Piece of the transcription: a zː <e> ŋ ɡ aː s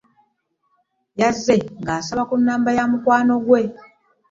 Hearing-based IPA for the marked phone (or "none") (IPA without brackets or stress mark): e